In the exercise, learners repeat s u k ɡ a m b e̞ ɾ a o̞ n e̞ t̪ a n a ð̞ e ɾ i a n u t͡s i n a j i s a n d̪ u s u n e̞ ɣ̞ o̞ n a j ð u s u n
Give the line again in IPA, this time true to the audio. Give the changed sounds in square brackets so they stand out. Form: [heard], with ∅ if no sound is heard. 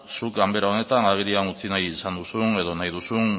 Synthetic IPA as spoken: s u k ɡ a m b e̞ ɾ a o̞ n e̞ t̪ a n a [ɣ̞] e ɾ i a n u t͡s i n a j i s a n d̪ u s u n e̞ [ð̞] o̞ n a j ð u s u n